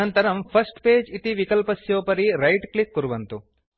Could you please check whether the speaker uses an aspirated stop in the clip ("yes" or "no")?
yes